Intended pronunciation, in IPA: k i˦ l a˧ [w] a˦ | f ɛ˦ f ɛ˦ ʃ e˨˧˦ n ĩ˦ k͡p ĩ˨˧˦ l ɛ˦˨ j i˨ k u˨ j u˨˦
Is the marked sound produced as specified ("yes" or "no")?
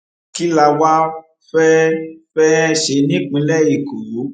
yes